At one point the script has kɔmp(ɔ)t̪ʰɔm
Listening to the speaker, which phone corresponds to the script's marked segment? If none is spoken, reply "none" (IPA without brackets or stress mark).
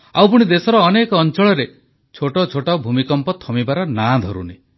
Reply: ɔ